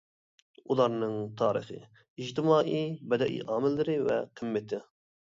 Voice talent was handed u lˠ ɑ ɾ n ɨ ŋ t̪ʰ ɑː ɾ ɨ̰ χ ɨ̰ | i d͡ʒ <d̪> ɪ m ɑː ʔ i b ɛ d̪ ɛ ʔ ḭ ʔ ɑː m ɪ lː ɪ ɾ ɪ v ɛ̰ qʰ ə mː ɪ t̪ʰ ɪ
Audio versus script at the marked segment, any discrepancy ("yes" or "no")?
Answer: yes